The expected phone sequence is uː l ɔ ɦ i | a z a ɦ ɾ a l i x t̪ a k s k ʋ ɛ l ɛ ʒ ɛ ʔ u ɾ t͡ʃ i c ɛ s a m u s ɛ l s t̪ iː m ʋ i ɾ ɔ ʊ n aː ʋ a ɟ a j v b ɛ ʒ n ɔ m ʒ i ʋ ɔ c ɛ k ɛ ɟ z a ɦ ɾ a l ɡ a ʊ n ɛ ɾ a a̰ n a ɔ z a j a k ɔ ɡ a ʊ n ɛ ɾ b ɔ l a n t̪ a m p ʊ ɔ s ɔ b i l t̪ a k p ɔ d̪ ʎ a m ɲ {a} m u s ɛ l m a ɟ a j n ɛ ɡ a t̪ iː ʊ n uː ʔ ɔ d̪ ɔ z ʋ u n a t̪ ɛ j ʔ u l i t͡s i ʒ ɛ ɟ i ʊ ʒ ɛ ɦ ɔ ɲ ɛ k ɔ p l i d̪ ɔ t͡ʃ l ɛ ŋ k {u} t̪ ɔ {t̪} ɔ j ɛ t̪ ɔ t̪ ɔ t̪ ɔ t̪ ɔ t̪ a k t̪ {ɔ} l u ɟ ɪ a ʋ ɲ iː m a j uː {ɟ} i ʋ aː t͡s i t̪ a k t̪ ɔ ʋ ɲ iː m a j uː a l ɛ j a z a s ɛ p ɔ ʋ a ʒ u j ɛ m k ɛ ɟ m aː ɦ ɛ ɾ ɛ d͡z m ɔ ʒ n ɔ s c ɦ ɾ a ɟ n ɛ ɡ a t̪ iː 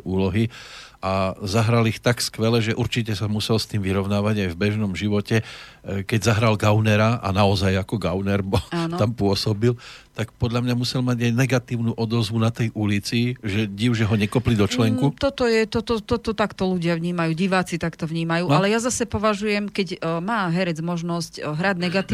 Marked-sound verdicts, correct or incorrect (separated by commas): correct, correct, correct, correct, correct